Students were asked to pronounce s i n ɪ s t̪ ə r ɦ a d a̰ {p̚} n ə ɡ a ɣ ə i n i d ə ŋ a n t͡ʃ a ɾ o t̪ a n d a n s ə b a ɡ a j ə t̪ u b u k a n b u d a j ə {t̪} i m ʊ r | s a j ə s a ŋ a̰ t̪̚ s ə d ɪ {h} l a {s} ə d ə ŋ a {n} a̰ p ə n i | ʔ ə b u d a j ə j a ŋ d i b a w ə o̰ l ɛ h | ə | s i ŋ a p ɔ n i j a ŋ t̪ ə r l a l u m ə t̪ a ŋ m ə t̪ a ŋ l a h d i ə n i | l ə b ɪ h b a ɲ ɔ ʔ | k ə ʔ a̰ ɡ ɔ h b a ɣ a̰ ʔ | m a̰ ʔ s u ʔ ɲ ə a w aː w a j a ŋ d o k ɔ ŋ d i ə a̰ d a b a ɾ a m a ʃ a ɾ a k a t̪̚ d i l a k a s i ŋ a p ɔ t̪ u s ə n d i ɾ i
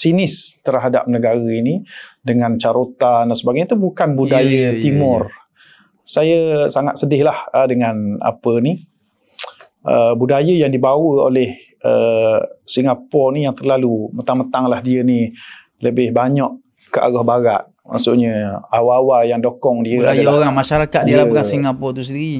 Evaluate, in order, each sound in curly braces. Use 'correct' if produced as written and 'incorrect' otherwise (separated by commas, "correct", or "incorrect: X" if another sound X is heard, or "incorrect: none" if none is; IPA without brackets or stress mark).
correct, correct, correct, incorrect: h, correct